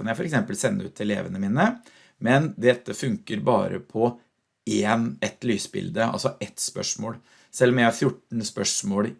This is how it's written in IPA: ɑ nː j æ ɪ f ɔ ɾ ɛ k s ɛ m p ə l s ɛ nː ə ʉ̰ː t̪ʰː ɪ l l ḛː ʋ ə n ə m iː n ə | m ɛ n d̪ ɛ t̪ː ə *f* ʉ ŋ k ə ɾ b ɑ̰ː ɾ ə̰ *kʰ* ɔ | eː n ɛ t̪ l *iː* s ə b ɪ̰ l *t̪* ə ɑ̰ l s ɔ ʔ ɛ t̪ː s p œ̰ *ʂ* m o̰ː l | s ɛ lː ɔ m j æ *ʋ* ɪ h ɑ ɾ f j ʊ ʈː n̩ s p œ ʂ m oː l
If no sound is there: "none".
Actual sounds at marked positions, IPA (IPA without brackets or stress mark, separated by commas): f, pʰ, yː, d̪, ʂ, none